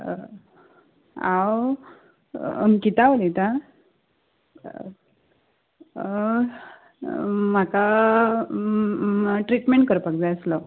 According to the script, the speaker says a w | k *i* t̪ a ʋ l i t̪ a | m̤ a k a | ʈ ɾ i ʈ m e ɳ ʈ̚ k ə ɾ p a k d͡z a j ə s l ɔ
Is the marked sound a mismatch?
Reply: no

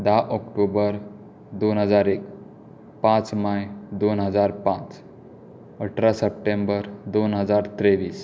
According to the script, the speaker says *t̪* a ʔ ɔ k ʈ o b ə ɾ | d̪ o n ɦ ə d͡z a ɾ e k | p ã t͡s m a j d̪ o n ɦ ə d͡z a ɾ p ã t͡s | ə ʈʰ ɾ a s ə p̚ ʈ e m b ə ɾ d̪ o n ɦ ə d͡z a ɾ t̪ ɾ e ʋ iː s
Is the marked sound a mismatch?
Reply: yes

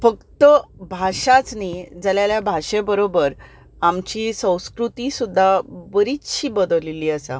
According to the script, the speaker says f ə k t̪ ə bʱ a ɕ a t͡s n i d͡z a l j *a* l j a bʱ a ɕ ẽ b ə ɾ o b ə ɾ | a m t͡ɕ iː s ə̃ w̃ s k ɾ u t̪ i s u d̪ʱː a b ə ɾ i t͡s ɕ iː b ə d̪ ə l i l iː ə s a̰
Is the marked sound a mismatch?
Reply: no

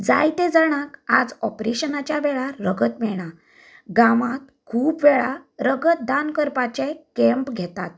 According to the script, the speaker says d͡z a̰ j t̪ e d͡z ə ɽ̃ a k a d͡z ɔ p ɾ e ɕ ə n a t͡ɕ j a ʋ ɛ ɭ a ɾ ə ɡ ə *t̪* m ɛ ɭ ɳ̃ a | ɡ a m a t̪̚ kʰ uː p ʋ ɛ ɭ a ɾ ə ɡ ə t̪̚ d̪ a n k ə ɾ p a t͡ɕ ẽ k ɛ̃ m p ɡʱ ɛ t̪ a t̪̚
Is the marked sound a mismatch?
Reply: no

